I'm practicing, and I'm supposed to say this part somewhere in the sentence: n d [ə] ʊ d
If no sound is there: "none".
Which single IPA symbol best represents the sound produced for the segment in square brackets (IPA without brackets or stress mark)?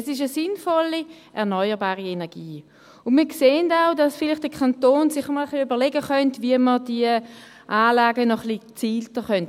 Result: a